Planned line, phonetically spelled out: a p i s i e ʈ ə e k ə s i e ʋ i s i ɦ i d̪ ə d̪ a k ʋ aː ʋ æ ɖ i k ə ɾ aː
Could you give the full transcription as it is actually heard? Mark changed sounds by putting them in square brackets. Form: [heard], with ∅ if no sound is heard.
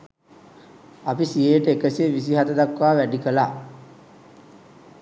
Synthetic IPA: a p i s i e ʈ ə e k ə s i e ʋ i s i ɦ [a] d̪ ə d̪ a k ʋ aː ʋ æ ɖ i k ə [l] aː